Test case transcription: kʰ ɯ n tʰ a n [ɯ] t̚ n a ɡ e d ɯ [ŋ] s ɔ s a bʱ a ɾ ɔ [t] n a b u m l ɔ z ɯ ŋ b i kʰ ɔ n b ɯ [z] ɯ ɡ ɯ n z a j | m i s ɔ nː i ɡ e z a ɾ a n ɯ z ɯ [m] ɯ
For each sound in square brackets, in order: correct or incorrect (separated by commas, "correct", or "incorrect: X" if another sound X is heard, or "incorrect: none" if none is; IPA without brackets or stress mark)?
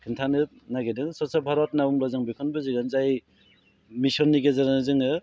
correct, correct, correct, correct, incorrect: ŋ